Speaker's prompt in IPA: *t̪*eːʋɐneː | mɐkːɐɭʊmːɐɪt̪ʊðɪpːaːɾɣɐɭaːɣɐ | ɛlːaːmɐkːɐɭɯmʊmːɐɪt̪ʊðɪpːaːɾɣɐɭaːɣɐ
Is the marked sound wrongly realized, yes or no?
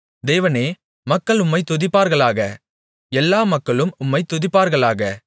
yes